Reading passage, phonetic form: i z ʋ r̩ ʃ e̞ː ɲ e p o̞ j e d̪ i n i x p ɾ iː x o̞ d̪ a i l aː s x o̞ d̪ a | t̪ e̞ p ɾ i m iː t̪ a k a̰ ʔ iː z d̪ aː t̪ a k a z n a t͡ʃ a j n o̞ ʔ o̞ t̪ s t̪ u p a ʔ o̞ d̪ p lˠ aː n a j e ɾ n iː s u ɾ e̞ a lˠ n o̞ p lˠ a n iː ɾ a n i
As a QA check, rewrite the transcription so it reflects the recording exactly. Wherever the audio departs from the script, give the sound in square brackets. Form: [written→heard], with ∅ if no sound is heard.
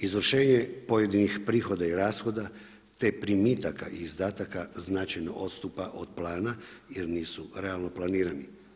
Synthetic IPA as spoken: i z ʋ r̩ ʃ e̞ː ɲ e p o̞ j e d̪ i n i x p ɾ iː x o̞ d̪ a i [l→ɾ] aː s x o̞ d̪ a | t̪ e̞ p ɾ i m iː t̪ a k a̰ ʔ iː z d̪ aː t̪ a k a z n a t͡ʃ a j n o̞ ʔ o̞ t̪ s t̪ u p a ʔ o̞ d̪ p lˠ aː n a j e ɾ n iː s u ɾ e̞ a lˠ n o̞ p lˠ a n iː ɾ a n i